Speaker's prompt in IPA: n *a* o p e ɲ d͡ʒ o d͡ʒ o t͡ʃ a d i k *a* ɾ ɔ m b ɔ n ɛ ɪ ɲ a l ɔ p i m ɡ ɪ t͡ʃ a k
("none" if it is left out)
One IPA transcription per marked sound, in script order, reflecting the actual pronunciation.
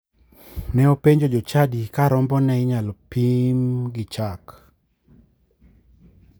ɛ, a

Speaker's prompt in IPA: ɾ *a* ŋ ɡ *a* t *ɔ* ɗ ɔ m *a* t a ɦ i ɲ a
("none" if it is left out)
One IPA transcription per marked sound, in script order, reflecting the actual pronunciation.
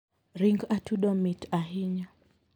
i, a, u, i

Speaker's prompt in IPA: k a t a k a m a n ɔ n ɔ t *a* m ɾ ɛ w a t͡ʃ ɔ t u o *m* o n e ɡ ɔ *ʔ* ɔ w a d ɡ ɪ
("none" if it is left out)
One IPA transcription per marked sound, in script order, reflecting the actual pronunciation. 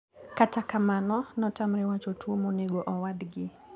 a, m, ʔ

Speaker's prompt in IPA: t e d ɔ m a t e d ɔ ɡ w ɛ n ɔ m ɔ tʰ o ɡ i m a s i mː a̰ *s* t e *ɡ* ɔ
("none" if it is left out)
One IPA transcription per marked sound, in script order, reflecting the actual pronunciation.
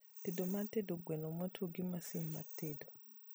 none, d

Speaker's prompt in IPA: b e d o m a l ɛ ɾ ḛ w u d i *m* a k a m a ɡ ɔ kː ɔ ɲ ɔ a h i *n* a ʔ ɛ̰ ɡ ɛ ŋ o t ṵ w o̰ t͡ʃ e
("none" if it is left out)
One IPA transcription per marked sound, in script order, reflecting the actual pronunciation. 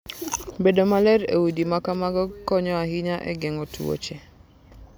m, ɲ

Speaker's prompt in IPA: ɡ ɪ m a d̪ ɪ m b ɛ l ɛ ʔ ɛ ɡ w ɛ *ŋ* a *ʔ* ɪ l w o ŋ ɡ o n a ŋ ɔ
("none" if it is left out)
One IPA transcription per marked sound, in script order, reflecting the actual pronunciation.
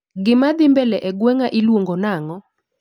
ŋ, ʔ

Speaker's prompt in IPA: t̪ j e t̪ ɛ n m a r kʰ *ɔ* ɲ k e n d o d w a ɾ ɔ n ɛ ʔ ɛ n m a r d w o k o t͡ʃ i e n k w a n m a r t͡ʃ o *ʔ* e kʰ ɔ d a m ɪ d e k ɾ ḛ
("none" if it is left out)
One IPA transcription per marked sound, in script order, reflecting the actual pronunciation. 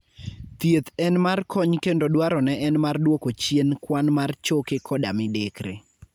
ɔ, k

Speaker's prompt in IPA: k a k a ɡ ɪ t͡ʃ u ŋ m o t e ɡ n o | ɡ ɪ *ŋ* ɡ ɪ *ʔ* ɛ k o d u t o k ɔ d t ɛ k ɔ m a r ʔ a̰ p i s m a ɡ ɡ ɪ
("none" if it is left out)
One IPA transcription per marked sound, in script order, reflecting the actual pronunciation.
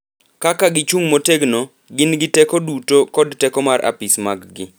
n, t

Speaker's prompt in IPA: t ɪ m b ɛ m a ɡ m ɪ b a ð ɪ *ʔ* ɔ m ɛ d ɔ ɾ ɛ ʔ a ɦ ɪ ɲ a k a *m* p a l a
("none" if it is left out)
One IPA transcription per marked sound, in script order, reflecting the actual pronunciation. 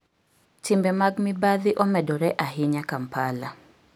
ʔ, m

